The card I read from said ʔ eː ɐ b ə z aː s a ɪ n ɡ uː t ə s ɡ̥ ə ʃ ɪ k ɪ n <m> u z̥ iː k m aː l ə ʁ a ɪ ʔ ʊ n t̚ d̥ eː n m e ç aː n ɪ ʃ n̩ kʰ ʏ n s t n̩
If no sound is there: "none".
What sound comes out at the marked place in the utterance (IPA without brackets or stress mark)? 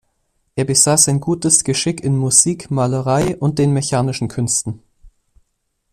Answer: m